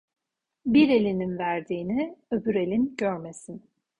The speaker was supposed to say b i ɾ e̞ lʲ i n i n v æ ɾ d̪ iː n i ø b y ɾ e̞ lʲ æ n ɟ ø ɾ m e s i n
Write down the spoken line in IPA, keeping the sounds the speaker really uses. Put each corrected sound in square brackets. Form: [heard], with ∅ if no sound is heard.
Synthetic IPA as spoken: b i ɾ e̞ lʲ i n i n v æ ɾ d̪ iː n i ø b y ɾ e̞ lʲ [i] n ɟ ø ɾ m e s i n